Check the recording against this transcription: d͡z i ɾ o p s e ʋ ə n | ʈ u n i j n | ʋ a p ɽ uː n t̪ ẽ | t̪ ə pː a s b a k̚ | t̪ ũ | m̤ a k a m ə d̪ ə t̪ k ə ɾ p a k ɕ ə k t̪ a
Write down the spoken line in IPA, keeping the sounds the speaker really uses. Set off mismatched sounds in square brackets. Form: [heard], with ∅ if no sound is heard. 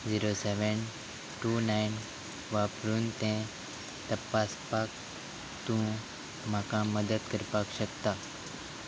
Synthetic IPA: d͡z i ɾ o [∅] s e ʋ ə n | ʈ u n [a] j n | ʋ a p [ɾ] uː n t̪ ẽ | t̪ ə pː a s [p] a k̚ | t̪ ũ | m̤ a k a m ə d̪ ə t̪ k ə ɾ p a k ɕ ə k t̪ a